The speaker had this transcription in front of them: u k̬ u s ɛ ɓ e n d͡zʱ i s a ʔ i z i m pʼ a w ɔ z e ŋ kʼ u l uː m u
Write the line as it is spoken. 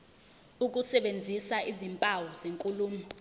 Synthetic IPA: u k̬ u s ɛ ɓ e n d͡zʱ i s a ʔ i z i m pʼ a w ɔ z e ŋ kʼ u l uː m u